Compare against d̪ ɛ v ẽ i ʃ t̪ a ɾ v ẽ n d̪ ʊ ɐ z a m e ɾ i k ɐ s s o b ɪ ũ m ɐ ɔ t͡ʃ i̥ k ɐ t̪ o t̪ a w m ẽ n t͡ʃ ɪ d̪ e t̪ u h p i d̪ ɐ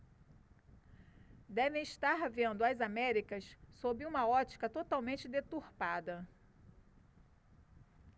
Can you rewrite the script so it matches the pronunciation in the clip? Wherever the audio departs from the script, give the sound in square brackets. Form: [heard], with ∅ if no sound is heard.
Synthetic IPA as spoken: d̪ ɛ v ẽ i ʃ t̪ a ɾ v ẽ n d̪ ʊ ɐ z a m [ɛ] ɾ i k ɐ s s o b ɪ ũ m ɐ ɔ t͡ʃ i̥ k ɐ t̪ o t̪ a w m ẽ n t͡ʃ ɪ d̪ e t̪ u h p [a] d̪ ɐ